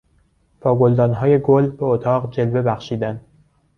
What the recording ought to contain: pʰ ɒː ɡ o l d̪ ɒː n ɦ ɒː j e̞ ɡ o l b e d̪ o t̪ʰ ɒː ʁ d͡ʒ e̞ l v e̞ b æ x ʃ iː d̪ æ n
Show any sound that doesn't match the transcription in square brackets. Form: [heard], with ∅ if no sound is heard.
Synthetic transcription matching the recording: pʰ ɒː ɡ o l d̪ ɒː n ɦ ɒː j e̞ ɡ o l b e [∅] o t̪ʰ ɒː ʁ d͡ʒ e̞ l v e̞ b æ x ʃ iː d̪ æ n